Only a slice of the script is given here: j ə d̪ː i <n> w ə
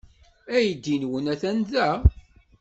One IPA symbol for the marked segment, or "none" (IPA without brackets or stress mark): n